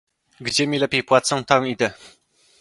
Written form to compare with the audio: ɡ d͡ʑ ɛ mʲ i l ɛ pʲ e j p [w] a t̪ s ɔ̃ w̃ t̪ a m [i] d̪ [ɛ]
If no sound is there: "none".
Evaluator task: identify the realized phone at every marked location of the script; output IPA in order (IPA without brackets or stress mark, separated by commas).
w, i, ɛ